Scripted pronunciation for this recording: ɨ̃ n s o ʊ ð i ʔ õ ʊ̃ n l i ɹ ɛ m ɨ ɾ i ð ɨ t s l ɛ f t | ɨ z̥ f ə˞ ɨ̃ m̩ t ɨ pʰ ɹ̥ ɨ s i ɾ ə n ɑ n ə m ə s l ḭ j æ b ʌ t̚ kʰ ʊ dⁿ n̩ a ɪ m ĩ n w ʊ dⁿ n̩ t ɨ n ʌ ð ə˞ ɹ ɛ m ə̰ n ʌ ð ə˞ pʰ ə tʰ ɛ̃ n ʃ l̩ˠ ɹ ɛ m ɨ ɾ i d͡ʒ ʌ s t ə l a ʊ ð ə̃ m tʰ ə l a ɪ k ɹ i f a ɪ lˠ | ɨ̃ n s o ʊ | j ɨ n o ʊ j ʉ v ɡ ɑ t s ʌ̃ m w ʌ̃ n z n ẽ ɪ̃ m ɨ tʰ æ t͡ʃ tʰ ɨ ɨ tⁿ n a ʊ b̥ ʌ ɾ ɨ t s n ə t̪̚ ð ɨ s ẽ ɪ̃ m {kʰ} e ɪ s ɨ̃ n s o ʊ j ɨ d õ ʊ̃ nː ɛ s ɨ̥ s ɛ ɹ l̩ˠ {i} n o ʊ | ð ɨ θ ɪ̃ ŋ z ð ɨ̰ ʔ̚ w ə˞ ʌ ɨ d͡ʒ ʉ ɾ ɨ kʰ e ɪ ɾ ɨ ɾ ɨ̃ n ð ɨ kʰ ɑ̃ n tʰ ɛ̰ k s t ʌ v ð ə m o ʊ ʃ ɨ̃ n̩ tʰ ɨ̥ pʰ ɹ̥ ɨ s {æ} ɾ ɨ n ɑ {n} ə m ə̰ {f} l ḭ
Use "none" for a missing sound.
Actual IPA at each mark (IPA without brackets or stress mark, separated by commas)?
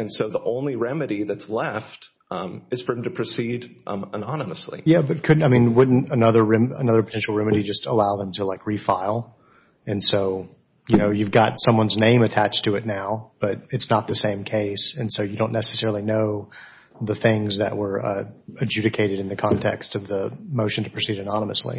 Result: kʰ, i, i, n, s